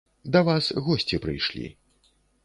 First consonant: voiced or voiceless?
voiced